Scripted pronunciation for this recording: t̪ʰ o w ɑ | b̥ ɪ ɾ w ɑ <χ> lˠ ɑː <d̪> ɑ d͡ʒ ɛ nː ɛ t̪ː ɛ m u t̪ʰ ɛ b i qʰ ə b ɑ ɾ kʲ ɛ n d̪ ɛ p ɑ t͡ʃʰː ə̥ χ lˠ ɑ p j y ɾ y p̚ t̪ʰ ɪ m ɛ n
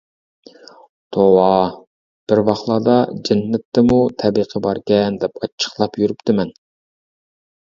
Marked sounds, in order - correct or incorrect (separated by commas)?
correct, correct